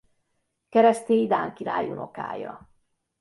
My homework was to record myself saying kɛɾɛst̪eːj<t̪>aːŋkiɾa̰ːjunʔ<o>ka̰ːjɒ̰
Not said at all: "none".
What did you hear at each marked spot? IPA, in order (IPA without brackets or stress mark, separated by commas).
d̪, o